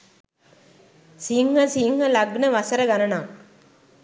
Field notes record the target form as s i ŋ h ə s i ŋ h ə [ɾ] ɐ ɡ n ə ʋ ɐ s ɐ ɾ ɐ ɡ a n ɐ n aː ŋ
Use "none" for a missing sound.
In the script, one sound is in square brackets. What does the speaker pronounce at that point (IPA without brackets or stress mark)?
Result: l